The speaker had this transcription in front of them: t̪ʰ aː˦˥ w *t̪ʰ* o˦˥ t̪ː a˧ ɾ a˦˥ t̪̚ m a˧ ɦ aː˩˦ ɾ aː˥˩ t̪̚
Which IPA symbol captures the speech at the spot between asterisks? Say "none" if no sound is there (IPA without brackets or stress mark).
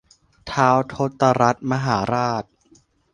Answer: t̪ʰ